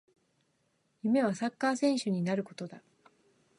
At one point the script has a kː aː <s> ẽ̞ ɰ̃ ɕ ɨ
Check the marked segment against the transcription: correct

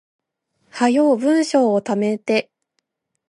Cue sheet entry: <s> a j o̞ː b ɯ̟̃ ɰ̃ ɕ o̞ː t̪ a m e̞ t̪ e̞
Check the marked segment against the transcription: incorrect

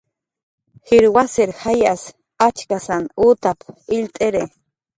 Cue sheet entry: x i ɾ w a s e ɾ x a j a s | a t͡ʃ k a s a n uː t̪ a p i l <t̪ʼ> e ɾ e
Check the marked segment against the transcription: correct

